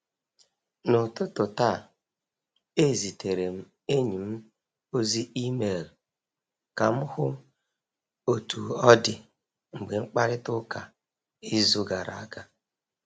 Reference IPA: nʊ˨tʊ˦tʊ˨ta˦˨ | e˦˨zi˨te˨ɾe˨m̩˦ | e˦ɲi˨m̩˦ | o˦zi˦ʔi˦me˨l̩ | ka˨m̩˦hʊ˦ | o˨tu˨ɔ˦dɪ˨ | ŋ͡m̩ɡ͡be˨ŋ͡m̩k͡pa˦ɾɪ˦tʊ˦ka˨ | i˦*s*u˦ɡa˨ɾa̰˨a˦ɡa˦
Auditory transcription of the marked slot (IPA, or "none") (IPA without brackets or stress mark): z